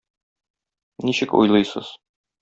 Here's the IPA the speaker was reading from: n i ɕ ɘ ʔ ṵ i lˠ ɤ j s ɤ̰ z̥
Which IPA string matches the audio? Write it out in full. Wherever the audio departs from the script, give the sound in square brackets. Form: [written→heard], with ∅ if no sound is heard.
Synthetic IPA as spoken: n i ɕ ɘ [ʔ→k] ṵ [i→j] lˠ ɤ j s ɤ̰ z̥